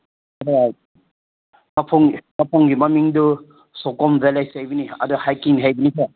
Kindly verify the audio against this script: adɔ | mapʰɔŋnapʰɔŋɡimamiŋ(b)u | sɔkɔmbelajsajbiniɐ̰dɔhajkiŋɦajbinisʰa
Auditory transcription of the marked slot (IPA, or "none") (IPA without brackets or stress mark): d